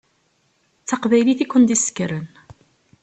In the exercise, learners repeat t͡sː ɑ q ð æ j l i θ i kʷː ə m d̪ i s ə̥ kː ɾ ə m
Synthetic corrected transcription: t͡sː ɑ q v æ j l i θ i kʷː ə n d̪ i s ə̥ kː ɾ ə n